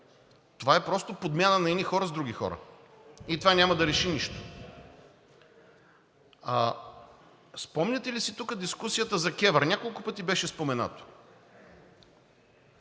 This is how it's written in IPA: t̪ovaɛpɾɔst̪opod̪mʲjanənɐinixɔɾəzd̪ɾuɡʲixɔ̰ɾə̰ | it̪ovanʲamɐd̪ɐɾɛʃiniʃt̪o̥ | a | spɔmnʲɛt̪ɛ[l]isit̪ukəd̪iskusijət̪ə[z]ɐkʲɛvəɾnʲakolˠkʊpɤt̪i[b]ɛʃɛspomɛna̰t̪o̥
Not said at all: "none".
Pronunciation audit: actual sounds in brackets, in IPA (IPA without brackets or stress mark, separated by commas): l, z, b